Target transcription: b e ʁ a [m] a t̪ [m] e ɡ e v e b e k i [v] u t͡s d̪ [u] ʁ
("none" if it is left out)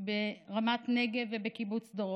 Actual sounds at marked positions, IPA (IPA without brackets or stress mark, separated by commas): m, n, b, o